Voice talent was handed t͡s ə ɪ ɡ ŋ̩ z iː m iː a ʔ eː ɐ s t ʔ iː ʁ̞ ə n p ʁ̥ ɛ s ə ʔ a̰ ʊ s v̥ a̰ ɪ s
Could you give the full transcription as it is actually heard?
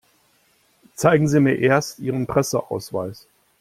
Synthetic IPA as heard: t͡s a ɪ ɡ ŋ̩ z iː m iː ɐ ʔ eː ɐ s t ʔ iː ʁ̞ ə n p ʁ̥ ɛ s ə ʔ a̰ ʊ s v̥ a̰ ɪ s